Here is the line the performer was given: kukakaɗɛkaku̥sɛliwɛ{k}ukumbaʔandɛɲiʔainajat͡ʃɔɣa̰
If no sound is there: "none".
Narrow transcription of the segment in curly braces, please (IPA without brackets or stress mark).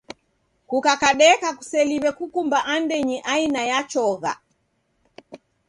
k